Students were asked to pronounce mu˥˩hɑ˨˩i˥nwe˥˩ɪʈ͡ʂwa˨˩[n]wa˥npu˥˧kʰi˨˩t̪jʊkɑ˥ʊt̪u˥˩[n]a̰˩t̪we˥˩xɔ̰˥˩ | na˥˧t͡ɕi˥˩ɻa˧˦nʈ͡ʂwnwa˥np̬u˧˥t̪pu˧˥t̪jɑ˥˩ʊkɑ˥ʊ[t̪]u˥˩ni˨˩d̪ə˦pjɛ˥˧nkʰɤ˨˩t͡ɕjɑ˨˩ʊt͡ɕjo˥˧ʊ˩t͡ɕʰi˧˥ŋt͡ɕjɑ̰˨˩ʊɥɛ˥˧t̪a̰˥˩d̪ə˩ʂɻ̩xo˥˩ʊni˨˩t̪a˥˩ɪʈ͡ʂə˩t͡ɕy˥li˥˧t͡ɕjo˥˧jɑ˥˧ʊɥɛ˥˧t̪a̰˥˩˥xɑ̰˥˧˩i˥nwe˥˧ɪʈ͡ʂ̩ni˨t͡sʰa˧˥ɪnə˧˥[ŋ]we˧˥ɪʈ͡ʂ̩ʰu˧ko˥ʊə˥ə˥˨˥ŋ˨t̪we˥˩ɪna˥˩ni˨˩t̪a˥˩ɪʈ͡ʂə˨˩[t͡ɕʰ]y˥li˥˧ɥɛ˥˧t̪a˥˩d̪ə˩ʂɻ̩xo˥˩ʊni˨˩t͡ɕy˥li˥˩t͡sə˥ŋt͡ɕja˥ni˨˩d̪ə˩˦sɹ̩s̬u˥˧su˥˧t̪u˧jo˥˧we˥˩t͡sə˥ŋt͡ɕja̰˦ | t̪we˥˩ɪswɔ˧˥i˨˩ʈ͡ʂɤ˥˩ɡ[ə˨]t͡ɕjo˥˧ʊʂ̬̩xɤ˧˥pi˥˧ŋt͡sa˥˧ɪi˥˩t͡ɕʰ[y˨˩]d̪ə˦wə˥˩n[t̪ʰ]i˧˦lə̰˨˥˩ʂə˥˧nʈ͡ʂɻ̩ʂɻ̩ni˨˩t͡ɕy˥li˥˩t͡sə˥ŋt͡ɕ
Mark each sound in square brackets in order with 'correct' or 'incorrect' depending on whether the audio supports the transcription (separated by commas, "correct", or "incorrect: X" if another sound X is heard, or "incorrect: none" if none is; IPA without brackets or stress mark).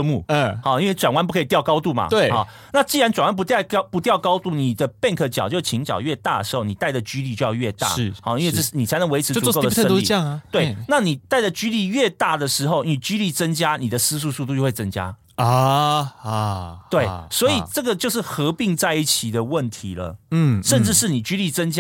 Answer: correct, incorrect: m, correct, correct, incorrect: t͡ɕ, correct, incorrect: i˨˩, correct